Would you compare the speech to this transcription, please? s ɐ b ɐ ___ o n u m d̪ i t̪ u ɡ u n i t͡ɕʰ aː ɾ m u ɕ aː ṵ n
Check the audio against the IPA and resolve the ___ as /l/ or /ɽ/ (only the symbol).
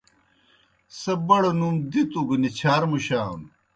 ɽ